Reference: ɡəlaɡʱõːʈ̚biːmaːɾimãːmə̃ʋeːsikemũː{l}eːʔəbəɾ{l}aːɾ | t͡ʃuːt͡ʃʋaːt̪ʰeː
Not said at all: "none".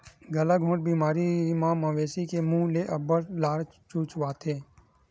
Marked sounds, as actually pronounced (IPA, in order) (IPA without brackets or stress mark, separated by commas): l, l